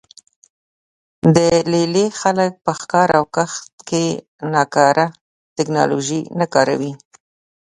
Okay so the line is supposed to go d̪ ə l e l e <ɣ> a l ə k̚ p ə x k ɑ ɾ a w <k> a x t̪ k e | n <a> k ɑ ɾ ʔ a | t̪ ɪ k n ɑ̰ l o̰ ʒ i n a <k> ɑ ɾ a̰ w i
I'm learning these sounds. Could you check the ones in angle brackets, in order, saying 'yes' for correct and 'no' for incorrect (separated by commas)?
no, yes, no, yes